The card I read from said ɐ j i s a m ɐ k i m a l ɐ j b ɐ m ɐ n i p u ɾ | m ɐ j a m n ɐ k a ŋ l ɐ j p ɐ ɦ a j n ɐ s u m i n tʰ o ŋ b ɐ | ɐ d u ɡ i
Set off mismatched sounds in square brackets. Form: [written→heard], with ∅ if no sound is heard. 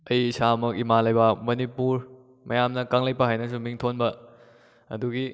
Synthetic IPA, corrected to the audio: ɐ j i s a m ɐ k i m a l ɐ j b ɐ m ɐ n i p u ɾ | m ɐ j a m n ɐ k a ŋ l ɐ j p ɐ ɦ a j n ɐ s u m i [n→ŋ] tʰ o [ŋ→n] b ɐ | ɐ d u ɡ i